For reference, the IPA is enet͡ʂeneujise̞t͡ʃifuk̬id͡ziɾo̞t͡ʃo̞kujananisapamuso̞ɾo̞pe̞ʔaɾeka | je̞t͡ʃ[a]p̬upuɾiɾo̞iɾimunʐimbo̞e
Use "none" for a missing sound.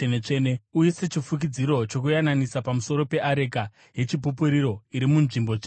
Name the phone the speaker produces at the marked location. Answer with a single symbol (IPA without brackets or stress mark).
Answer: i